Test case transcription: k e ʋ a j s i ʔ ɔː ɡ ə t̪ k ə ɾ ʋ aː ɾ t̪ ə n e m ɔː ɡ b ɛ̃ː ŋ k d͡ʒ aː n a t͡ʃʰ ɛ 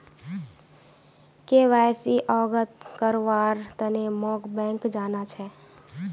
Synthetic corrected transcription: k e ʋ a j s i ʔ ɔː ɡ ə t̪ k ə ɾ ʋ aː ɾ t̪ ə n e m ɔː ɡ b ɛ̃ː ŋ k d͡ʒ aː n a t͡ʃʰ ɛ